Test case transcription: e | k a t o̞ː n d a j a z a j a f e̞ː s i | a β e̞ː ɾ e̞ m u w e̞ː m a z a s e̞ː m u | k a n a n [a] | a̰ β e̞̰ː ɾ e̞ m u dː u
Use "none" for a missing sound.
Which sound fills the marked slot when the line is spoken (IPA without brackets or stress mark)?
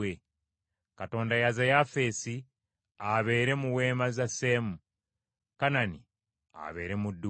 i